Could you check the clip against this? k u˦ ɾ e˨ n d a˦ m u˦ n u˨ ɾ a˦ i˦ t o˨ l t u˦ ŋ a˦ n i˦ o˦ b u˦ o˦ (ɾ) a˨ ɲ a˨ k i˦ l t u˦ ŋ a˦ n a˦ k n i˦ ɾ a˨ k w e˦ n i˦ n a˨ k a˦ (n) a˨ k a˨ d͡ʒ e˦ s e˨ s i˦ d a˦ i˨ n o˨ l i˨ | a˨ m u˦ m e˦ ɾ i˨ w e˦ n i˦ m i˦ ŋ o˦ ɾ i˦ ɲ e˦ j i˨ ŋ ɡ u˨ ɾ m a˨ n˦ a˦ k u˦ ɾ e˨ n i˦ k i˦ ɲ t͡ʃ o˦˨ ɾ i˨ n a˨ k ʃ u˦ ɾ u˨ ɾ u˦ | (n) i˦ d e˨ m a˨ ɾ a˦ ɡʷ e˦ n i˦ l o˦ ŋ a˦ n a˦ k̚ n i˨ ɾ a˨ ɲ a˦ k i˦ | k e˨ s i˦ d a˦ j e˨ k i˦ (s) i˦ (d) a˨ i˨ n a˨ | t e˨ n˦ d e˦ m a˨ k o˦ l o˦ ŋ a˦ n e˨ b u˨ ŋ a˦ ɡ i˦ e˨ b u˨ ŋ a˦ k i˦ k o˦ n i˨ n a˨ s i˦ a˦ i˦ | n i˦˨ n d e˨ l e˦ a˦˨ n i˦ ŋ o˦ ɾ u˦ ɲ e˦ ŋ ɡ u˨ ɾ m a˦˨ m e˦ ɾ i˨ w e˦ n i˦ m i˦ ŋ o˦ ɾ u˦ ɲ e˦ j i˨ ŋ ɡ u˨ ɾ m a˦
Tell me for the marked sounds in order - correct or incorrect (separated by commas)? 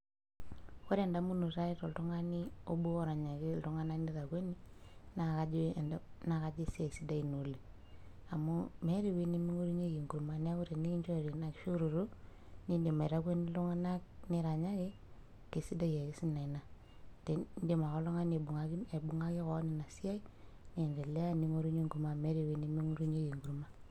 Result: correct, correct, correct, correct, incorrect